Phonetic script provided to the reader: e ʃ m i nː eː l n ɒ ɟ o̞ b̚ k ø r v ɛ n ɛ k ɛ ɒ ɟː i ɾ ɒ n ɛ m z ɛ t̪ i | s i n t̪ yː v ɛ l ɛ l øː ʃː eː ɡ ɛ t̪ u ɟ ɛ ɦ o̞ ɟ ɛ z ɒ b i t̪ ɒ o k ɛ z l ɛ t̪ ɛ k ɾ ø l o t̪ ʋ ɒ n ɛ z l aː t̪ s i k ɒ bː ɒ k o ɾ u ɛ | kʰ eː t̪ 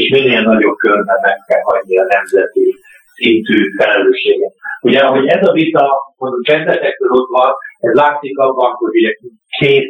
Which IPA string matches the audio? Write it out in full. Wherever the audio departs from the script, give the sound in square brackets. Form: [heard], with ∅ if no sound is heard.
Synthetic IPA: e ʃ m i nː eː l n ɒ ɟ o̞ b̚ k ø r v ɛ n ɛ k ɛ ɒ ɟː i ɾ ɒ n ɛ m z ɛ t̪ i | s i n t̪ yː [f] ɛ l ɛ l øː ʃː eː ɡ ɛ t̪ u ɟ ɛ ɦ o̞ ɟ ɛ z ɒ [v] i t̪ ɒ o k ɛ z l ɛ t̪ ɛ k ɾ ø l o t̪ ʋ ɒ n ɛ z l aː t̪ s i k ɒ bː ɒ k o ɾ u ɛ | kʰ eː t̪